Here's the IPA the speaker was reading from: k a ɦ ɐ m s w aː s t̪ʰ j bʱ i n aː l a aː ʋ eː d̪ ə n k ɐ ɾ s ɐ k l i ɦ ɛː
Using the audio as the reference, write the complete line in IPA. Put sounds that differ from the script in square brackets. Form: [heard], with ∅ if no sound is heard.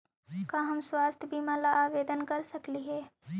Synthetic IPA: k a ɦ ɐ m s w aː s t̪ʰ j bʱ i [m] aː l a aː ʋ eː d̪ ə n k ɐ ɾ s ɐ k l i ɦ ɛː